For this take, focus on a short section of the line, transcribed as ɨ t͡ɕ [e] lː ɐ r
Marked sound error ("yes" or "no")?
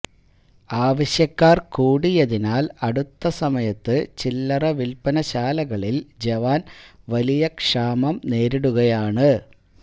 yes